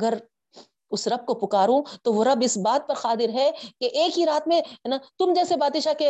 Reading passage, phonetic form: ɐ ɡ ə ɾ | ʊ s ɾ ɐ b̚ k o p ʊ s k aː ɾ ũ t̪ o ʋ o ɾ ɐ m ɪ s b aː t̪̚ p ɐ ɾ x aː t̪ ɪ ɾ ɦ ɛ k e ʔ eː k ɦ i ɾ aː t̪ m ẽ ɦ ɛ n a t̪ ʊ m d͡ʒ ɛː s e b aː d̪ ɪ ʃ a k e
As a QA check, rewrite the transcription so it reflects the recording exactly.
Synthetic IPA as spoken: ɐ ɡ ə ɾ | ʊ s ɾ ɐ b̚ k o p ʊ k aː ɾ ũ t̪ o ʋ o ɾ ɐ b ɪ s b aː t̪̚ p ɐ ɾ x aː t̪ ɪ ɾ ɦ ɛ k e ʔ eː k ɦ i ɾ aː t̪ m ẽ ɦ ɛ n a t̪ ʊ m d͡ʒ ɛː s e b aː d̪ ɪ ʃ a k e